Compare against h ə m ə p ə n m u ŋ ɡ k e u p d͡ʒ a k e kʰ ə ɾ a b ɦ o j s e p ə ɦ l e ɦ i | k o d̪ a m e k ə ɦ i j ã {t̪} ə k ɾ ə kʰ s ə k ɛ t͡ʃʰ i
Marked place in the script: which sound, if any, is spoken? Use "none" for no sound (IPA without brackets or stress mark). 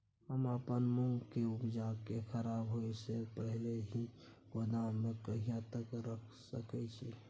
t̪